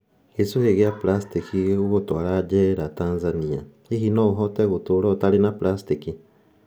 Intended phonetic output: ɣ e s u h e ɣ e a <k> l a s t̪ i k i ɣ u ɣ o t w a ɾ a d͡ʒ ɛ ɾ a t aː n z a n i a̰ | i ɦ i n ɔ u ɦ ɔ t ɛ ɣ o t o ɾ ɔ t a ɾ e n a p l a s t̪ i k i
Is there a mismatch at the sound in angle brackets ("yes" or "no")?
yes